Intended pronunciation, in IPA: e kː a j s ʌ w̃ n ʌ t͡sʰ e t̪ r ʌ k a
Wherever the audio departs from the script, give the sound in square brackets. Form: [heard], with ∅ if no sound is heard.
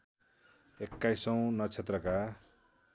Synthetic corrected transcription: e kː a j s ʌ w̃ n ʌ t͡sʰ e t̪ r ʌ k a